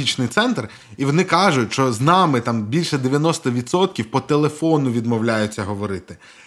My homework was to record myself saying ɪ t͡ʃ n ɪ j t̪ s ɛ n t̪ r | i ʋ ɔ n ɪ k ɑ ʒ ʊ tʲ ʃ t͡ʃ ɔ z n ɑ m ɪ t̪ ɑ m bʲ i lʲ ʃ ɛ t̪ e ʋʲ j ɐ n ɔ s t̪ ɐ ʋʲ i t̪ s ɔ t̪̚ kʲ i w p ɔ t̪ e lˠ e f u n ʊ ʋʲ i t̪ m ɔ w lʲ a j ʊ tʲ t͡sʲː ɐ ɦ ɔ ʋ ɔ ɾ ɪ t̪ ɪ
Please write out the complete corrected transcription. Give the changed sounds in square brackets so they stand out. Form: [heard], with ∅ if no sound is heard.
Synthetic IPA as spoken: [i] t͡ʃ n ɪ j t̪ s ɛ n t̪ r | i ʋ ɔ n ɪ k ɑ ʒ ʊ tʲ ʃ t͡ʃ ɔ z n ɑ m ɪ t̪ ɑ m bʲ i lʲ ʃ ɛ [d̪] e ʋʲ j ɐ n ɔ s t̪ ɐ ʋʲ i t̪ s ɔ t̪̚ kʲ i w p ɔ t̪ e lˠ e f [ɔ] n ʊ ʋʲ i [d̪] m ɔ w lʲ a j ʊ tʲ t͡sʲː ɐ ɦ ɔ ʋ ɔ ɾ ɪ t̪ ɪ